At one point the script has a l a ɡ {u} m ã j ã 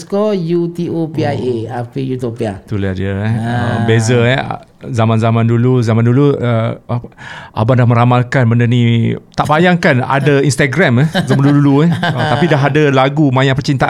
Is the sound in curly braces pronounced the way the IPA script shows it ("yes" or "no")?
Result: yes